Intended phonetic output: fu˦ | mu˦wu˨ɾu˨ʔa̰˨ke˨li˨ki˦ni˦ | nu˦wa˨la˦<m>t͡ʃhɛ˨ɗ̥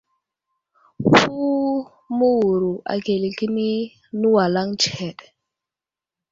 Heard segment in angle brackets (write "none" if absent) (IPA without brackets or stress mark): ŋ